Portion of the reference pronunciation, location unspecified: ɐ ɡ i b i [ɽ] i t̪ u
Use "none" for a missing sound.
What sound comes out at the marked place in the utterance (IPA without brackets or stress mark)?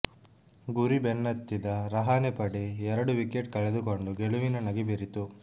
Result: ɾ